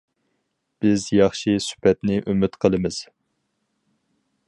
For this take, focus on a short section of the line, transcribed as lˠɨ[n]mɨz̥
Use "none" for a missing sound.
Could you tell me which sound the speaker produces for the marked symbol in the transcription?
none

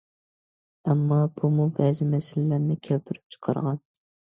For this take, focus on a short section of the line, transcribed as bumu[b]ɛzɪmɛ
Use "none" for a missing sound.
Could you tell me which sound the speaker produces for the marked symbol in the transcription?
b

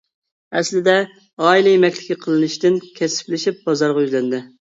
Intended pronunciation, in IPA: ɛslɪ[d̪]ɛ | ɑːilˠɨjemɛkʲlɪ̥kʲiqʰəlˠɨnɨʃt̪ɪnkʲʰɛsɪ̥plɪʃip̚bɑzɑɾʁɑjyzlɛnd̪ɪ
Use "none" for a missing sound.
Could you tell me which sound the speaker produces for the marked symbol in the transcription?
d̪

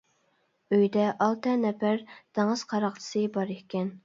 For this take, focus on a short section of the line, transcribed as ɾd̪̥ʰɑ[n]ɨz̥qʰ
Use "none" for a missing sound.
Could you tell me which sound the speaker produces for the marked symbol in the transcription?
ŋ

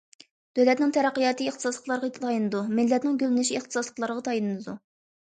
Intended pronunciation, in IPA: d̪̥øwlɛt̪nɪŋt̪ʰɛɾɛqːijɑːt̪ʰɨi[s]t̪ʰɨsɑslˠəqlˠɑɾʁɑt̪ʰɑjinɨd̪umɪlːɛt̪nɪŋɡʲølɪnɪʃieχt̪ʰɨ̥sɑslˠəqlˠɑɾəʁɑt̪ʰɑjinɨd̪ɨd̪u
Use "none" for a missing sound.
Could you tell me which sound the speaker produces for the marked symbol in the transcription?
χ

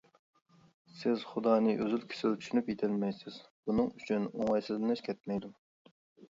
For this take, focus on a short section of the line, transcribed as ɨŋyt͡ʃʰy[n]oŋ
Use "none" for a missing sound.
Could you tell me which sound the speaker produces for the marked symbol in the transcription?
n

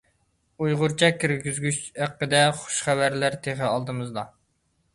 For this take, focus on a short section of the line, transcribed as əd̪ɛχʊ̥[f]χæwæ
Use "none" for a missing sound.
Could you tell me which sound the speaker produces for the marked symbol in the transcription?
ʃ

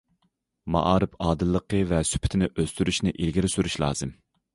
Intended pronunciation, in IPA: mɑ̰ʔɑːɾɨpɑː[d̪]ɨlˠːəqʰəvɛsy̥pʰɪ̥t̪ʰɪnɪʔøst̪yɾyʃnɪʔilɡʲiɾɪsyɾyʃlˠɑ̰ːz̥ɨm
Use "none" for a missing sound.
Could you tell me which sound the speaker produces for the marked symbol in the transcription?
d̪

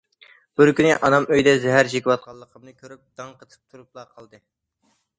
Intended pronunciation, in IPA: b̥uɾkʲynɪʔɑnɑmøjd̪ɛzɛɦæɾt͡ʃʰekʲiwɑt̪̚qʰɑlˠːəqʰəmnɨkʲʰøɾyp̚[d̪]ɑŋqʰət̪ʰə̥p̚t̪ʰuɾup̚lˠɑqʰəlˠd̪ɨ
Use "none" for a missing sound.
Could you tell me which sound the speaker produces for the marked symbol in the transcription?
d̪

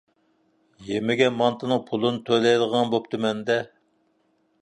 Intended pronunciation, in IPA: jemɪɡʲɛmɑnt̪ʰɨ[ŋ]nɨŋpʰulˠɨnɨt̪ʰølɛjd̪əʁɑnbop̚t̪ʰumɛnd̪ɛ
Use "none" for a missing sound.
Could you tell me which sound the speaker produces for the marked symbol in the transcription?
none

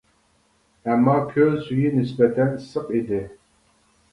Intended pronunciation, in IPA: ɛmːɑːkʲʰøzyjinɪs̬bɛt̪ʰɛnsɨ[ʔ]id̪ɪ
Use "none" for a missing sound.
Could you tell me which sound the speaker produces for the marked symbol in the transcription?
q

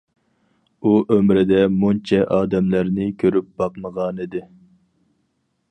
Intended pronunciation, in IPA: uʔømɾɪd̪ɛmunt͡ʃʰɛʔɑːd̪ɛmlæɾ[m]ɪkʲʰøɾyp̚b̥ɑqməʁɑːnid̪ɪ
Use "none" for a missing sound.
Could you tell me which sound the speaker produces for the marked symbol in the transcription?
n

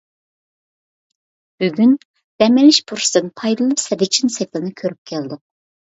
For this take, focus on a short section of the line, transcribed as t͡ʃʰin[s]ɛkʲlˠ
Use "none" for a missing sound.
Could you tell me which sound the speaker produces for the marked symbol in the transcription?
s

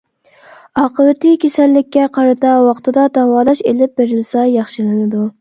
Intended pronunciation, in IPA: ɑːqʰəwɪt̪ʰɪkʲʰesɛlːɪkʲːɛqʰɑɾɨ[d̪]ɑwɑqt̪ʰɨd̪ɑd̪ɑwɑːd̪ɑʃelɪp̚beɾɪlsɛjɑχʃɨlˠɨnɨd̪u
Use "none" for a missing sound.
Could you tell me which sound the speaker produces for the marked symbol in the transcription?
t̪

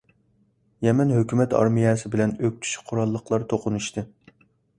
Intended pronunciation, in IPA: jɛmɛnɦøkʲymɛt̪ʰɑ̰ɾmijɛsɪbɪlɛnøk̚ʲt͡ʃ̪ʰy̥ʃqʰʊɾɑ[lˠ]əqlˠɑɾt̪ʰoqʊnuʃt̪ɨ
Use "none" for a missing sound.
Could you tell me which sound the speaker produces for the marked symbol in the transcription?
lˠː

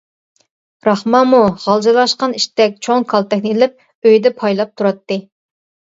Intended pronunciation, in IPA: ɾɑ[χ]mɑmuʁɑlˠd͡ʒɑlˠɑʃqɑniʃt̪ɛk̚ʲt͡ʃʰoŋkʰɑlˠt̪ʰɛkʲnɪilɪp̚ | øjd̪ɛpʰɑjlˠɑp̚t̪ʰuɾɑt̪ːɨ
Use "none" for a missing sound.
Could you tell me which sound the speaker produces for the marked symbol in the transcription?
χ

